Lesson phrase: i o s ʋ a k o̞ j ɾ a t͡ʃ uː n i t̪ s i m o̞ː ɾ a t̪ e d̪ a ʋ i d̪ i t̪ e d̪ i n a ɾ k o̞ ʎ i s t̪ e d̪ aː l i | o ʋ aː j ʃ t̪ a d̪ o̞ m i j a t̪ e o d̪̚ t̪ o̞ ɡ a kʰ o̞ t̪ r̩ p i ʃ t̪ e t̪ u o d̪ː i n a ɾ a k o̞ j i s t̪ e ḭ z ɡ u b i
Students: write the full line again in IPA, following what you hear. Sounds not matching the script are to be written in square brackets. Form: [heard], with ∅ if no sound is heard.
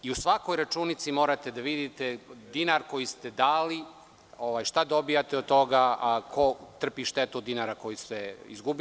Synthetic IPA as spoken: i [u] s ʋ a k o̞ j ɾ a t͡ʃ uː n i t̪ s i m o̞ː ɾ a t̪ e d̪ a ʋ i d̪ i t̪ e d̪ i n a ɾ k o̞ [j] i s t̪ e d̪ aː l i | o ʋ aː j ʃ t̪ a d̪ o̞ [b] i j a t̪ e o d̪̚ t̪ o̞ ɡ a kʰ o̞ t̪ r̩ p i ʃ t̪ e t̪ u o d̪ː i n a ɾ a k o̞ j i s t̪ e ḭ z ɡ u b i